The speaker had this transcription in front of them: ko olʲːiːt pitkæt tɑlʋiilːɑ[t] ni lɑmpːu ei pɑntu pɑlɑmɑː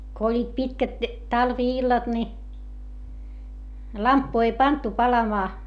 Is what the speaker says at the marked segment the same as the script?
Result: yes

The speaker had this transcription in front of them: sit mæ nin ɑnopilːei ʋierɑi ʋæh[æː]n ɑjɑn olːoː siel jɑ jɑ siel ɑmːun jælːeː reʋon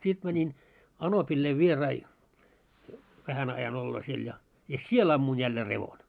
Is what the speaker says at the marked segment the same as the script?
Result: no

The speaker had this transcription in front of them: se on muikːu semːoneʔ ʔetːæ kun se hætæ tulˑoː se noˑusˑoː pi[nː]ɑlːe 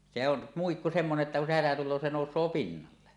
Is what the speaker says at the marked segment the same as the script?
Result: yes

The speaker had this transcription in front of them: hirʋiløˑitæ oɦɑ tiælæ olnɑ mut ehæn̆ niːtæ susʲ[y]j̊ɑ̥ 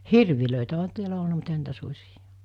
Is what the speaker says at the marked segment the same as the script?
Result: no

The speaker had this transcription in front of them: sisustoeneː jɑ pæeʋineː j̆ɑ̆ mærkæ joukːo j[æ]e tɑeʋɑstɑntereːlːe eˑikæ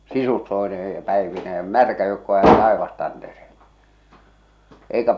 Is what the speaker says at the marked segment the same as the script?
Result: yes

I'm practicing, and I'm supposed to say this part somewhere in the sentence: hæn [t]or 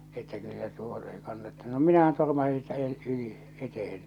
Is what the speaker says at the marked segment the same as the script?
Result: yes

